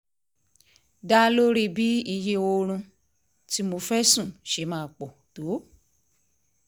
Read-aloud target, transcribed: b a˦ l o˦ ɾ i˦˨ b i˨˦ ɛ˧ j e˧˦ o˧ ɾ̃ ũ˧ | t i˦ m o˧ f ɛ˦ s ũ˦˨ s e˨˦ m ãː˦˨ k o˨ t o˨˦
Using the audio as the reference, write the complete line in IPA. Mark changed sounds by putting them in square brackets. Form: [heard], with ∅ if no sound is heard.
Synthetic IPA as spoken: [d] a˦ l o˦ ɾ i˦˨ b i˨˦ [i˧] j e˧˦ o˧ ɾ̃ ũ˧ | t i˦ m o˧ f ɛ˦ s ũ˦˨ [ʃ] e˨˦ m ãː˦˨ [k͡p] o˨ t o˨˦